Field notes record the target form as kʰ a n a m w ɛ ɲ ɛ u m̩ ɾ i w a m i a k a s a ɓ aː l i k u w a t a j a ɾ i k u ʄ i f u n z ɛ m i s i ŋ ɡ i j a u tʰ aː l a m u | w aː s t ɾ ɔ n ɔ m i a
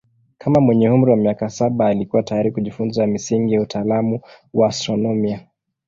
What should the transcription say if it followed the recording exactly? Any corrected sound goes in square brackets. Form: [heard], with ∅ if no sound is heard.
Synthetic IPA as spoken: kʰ a [m] a m w ɛ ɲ ɛ u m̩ ɾ i w a m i a k a s a ɓ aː l i k u w a t a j a ɾ i k u ʄ i f u n z [a] m i s i ŋ ɡ i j a u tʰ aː l a m u | w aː s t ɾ ɔ n ɔ m i a